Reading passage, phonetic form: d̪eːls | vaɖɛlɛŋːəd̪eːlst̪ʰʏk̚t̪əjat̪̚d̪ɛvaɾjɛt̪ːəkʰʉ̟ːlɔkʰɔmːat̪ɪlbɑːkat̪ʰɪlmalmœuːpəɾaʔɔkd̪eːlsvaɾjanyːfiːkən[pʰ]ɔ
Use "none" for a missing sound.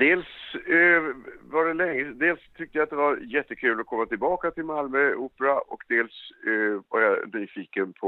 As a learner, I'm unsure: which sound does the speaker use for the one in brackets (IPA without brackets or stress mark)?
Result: pʰ